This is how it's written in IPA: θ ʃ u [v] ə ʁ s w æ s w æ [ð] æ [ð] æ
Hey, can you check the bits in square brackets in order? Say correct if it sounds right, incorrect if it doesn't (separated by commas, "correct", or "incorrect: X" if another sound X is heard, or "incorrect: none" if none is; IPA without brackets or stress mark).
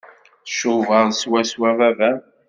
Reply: correct, incorrect: v, incorrect: v